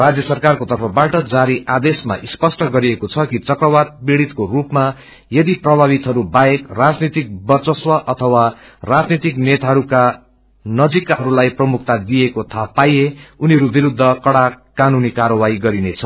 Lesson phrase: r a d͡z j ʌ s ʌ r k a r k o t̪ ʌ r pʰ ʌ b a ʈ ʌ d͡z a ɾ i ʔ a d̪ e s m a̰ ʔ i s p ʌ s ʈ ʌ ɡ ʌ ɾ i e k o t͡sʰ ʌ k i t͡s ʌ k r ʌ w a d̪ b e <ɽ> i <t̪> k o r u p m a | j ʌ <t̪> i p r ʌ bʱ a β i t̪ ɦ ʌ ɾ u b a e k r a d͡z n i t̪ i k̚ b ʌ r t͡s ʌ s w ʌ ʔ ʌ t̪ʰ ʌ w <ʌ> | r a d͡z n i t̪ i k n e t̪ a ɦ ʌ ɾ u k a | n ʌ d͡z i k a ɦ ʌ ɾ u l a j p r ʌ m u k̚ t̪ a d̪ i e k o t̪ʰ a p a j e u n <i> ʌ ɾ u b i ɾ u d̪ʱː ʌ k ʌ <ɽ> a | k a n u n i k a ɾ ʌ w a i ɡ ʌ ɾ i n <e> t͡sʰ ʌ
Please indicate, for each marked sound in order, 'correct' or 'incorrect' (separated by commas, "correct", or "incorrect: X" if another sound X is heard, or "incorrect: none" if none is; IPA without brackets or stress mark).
correct, correct, incorrect: d̪, incorrect: a, correct, correct, correct